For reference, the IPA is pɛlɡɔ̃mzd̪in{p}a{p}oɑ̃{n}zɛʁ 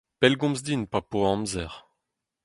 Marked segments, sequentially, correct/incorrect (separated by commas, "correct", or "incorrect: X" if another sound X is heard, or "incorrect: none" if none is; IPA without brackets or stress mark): correct, correct, incorrect: m